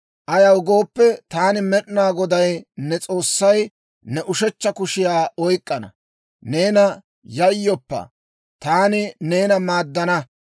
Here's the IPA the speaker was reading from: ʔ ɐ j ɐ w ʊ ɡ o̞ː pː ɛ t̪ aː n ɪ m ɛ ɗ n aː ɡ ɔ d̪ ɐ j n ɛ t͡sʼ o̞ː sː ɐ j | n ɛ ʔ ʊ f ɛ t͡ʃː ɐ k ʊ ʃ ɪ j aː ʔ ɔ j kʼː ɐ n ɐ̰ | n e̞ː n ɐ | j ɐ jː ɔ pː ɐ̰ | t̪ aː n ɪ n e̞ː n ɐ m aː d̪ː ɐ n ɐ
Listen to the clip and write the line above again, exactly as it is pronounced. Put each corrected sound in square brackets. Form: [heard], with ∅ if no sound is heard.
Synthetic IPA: ʔ ɐ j ɐ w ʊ ɡ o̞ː pː ɛ t̪ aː n ɪ m ɛ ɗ n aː ɡ ɔ d̪ ɐ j n ɛ t͡sʼ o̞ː sː ɐ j | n ɛ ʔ ʊ [ʃ] ɛ t͡ʃː ɐ k ʊ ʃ ɪ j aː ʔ ɔ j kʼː ɐ n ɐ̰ | n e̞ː n ɐ | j ɐ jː ɔ pː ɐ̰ | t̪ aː n ɪ n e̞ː n ɐ m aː d̪ː ɐ n ɐ